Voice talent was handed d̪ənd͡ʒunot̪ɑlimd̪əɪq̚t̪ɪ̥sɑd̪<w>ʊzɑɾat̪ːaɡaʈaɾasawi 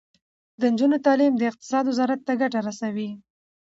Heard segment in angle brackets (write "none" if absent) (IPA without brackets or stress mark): w